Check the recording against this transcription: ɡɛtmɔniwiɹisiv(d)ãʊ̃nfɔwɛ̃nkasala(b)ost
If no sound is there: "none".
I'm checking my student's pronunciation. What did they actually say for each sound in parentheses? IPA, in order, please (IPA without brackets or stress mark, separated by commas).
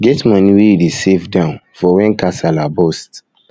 d, b